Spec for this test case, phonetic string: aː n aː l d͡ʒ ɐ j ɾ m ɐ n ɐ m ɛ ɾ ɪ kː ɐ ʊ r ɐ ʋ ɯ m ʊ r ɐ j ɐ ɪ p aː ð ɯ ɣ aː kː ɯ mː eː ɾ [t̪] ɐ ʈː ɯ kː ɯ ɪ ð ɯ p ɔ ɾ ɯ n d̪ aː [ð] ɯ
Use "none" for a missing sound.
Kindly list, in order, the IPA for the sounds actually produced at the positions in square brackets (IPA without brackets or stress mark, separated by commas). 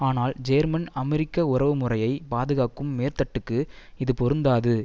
t̪, ð